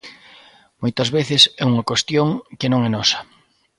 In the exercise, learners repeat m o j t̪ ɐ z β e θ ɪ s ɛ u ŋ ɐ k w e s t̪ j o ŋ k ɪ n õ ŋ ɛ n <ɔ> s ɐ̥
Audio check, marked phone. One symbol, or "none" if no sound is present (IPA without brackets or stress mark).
ɔ